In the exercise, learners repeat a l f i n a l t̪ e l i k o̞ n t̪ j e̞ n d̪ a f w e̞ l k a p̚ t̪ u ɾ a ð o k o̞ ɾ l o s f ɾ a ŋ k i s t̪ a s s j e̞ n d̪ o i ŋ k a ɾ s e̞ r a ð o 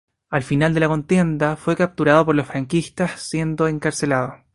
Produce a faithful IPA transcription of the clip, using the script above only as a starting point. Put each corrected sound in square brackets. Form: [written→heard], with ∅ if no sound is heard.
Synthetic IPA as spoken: a l f i n a l [t̪→d̪] e l [i→a] k o̞ n t̪ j e̞ n d̪ a f w e̞ [l→∅] k a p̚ t̪ u ɾ a ð o [k→p] o̞ ɾ l o s f ɾ a ŋ k i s t̪ a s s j e̞ n d̪ o [i→e] ŋ k a ɾ s e̞ [r→l] a ð o